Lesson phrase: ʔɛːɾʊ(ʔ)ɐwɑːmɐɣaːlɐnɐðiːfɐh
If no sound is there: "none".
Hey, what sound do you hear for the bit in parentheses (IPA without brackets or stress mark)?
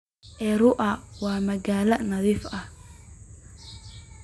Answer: ʔ